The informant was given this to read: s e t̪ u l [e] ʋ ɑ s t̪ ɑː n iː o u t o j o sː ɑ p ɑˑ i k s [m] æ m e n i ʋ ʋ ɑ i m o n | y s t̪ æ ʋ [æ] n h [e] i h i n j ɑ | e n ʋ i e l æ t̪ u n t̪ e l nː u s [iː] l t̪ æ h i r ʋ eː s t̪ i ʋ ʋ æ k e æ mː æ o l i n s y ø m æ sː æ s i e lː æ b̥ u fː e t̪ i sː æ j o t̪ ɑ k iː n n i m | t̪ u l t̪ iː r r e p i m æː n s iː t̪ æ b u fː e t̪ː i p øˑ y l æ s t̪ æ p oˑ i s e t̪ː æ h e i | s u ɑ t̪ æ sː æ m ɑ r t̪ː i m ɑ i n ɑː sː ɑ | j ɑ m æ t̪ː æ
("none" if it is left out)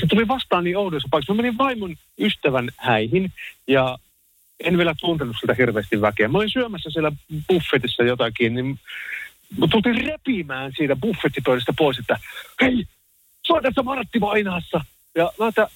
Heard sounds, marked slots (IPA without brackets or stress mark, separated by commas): i, m, æ, æ, i